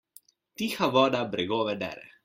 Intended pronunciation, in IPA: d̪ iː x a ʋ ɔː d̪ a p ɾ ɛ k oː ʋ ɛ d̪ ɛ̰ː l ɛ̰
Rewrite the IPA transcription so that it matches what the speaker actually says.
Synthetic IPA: t̪ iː x a ʋ ɔː d̪ a b ɾ ɛ ɡ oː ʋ ɛ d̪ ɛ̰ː ɾ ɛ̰